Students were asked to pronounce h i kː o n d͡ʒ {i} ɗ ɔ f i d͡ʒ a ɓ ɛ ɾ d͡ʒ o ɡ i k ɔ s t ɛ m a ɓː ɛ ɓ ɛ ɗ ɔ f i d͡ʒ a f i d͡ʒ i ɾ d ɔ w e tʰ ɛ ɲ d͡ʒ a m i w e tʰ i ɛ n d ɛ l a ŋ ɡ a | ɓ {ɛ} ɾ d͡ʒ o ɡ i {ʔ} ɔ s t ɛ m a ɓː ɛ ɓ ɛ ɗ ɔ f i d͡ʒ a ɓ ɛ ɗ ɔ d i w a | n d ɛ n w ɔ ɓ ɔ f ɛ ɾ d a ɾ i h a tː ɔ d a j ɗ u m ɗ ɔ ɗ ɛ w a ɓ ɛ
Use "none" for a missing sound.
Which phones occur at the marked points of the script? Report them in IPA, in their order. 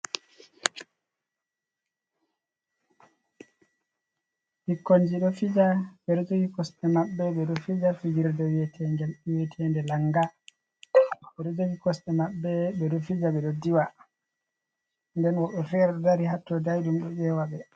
i, ɛ, k

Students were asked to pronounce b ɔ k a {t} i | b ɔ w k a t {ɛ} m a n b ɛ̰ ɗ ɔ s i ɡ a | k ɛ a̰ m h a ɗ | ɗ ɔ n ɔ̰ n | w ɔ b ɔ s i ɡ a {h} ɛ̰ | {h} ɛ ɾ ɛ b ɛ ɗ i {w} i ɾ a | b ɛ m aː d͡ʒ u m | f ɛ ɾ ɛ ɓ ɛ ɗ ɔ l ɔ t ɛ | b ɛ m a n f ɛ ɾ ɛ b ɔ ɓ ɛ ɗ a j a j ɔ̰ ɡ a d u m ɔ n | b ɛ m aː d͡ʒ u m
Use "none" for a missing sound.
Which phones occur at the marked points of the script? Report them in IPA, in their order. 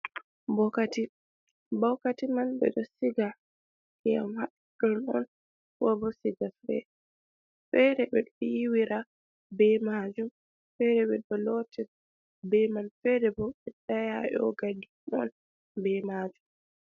t, i, f, f, w

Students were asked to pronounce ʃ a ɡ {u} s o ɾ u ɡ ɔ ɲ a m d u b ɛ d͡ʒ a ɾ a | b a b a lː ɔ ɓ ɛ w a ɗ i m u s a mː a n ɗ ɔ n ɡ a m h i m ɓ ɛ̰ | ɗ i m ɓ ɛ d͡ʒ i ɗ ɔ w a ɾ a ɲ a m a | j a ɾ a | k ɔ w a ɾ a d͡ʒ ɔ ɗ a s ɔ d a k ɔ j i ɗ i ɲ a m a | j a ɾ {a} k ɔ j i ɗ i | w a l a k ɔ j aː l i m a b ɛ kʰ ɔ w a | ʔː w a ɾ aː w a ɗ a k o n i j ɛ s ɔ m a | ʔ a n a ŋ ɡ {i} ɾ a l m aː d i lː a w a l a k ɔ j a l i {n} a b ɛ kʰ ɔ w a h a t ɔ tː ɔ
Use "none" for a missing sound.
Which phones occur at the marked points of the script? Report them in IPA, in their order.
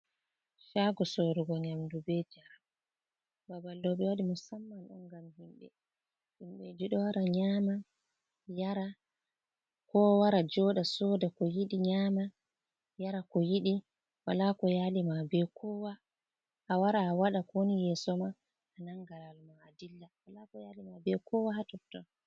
ɔ, a, a, m

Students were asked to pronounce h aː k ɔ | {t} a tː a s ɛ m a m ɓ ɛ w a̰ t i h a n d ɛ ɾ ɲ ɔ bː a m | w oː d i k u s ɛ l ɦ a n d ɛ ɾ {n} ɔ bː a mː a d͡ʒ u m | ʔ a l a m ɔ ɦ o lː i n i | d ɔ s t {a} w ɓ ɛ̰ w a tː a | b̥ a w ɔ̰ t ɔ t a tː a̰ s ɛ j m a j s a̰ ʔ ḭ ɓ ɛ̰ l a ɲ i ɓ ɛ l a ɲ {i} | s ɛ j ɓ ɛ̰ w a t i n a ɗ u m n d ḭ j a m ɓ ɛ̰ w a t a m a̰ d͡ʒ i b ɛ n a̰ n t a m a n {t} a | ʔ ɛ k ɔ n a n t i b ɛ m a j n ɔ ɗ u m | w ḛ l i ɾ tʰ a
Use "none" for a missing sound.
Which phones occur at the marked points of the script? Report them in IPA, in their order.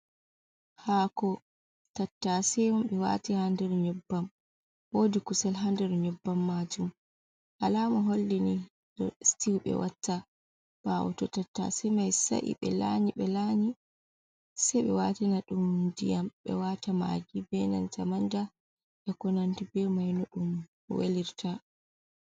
t, ɲ, i, i, d

